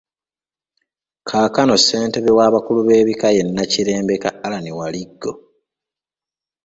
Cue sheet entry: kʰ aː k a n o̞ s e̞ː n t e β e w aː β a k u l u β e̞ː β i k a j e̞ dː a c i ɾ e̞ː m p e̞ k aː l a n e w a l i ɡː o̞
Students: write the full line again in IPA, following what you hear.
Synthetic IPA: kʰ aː k a n o̞ s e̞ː n t e β e w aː β a k u l u β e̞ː β i k a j e̞ nː a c i ɾ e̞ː m b e̞ k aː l a n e w a l i ɡː o̞